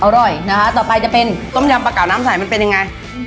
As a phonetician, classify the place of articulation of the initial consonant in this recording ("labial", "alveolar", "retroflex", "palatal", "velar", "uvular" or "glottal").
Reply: glottal